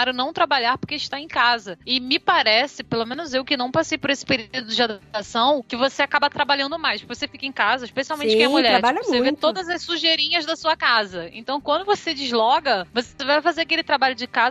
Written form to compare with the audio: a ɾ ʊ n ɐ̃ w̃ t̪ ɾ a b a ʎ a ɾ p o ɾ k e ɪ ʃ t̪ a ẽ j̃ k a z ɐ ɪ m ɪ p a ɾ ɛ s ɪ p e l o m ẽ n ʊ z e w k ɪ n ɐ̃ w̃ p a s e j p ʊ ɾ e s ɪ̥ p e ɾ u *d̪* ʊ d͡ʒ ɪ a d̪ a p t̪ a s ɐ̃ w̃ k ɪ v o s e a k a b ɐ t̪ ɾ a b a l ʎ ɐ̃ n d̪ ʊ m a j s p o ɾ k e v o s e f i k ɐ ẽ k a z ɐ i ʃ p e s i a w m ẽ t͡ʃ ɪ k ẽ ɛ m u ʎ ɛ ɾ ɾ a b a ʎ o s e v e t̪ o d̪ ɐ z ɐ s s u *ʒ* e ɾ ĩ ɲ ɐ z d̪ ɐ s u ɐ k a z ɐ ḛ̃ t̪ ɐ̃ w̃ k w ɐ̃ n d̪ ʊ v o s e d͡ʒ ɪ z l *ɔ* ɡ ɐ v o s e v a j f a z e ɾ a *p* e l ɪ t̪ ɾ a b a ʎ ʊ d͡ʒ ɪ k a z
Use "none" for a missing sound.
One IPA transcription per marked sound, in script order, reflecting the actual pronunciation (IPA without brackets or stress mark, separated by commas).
d̪, ʒ, ɔ, k